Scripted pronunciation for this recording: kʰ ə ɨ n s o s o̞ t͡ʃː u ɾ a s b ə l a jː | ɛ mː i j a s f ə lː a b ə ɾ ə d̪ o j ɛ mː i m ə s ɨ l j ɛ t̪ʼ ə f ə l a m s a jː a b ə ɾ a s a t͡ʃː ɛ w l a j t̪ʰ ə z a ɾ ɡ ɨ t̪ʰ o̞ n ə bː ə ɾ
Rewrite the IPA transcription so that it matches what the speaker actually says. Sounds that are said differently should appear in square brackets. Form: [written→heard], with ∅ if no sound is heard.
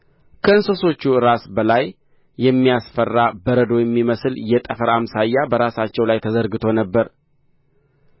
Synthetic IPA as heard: kʰ ə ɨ n s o s o̞ t͡ʃː u ɾ a s b ə l a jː | ɛ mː i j a s f ə [lː→rː] a b ə ɾ ə d̪ o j ɛ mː i m ə s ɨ l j ɛ t̪ʼ ə f ə [l→ɾ] a m s a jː a b ə ɾ a s a t͡ʃː ɛ w l a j t̪ʰ ə z [a→ə] ɾ ɡ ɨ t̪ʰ o̞ n ə bː ə ɾ